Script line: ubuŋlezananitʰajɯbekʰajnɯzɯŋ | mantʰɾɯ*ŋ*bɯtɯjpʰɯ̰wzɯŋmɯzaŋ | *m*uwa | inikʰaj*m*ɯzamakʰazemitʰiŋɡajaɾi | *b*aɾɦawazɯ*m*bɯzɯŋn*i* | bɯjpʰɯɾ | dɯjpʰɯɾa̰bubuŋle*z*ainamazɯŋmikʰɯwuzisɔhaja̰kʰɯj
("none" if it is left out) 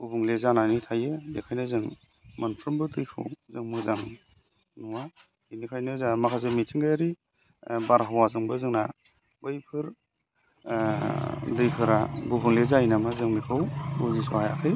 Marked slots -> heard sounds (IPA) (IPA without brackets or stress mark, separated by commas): m, n, n, b, ŋ, a, z